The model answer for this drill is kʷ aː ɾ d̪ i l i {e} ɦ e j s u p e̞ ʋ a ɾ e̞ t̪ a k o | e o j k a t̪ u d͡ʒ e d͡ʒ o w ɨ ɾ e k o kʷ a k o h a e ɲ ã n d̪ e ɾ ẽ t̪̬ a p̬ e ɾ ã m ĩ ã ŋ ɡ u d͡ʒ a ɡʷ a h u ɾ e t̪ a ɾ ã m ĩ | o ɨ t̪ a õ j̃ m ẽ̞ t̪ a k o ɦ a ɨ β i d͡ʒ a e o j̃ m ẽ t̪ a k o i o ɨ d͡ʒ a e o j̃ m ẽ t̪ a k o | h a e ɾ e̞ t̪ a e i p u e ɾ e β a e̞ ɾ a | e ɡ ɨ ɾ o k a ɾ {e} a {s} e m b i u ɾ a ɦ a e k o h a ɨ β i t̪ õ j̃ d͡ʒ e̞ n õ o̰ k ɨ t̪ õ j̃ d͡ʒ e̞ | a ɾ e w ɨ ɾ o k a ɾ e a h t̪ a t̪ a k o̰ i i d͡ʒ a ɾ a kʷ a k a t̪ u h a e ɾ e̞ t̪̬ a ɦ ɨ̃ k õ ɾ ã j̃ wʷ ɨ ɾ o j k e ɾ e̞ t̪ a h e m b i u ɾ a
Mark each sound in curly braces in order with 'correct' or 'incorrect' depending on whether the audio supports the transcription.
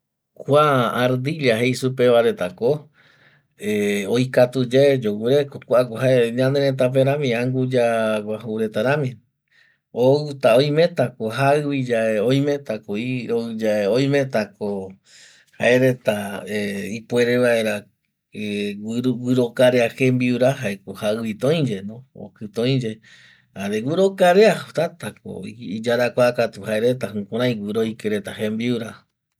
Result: incorrect, correct, incorrect

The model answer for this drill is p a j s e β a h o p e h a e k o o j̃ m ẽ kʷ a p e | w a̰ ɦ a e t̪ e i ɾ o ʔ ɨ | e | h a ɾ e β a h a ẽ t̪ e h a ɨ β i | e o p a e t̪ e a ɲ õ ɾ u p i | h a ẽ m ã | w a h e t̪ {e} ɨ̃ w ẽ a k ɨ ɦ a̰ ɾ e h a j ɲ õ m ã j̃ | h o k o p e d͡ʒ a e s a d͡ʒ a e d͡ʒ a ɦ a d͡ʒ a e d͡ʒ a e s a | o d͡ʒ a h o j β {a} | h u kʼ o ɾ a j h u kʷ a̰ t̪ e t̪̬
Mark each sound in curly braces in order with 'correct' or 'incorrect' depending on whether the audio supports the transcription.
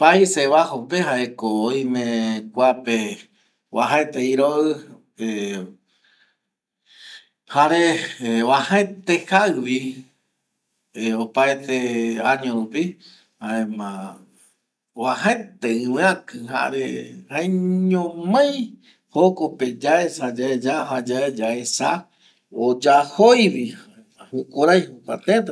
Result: correct, incorrect

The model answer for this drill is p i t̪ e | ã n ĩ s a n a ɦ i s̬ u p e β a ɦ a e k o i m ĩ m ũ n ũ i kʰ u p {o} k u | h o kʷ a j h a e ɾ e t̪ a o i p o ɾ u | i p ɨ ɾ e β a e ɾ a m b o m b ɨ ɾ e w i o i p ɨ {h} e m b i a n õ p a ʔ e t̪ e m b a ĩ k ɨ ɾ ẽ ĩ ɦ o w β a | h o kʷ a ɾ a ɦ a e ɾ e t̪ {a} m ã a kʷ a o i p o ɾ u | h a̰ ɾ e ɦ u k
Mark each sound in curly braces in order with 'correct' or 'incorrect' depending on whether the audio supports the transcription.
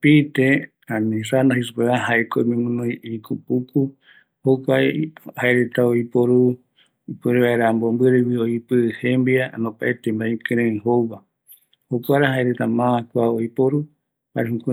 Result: incorrect, correct, correct

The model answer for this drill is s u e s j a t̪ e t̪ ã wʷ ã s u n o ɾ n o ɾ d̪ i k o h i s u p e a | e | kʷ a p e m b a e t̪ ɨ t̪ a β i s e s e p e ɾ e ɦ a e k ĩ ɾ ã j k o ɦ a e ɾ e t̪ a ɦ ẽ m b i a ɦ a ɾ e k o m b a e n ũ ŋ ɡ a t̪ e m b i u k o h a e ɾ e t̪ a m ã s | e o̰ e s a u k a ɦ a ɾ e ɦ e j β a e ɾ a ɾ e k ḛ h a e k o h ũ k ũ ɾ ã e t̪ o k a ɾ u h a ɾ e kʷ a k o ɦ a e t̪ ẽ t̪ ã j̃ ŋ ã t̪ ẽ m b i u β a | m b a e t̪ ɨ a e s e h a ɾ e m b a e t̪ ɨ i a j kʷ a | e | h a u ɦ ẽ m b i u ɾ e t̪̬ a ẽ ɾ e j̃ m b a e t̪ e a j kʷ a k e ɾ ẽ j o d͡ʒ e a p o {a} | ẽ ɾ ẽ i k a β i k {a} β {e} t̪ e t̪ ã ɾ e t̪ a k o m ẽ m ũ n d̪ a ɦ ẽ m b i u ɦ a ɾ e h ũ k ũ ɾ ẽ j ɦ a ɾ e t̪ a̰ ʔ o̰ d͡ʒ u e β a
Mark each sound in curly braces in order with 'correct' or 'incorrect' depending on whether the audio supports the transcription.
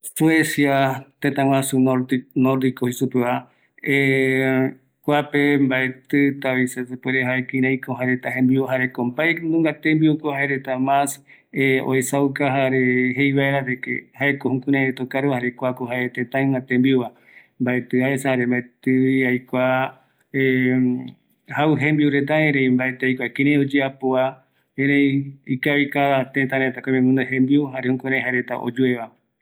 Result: correct, correct, incorrect

